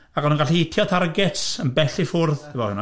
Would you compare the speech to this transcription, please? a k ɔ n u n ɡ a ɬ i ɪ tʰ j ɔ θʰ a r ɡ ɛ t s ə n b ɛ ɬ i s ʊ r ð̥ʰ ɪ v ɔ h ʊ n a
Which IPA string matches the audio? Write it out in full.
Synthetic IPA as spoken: a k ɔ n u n ɡ a ɬ i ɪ tʰ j ɔ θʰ a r ɡ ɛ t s ə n b ɛ ɬ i f ʊ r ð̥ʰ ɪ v ɔ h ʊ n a